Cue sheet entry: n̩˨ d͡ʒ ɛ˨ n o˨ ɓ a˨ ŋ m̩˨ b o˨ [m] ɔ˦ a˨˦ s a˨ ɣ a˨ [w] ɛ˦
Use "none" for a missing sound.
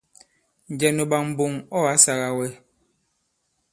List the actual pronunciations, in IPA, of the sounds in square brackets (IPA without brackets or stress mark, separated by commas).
ŋ, w